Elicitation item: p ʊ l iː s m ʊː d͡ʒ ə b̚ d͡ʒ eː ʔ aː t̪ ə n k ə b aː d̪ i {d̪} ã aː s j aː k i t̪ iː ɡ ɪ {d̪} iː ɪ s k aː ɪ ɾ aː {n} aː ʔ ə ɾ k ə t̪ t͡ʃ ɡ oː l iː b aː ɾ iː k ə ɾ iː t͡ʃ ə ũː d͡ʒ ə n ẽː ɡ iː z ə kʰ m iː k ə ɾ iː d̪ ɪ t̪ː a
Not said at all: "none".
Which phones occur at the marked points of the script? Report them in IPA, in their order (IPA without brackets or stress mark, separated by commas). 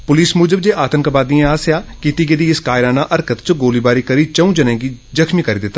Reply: none, d̪, n